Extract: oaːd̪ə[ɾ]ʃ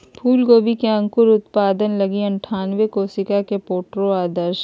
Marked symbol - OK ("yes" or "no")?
yes